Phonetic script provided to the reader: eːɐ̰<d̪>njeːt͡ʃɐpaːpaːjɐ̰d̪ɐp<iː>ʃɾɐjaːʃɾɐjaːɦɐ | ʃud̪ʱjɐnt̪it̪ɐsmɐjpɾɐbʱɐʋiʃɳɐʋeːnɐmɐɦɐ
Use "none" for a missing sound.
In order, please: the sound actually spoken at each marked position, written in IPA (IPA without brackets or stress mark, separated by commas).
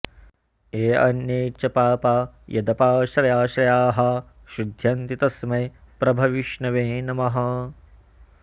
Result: none, aː